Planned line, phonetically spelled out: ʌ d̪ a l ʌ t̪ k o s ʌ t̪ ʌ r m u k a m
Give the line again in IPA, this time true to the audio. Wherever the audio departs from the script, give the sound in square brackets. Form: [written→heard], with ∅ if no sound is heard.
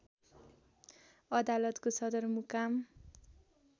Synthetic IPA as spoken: ʌ d̪ a l ʌ t̪ k o s ʌ [t̪→d̪] ʌ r m u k a m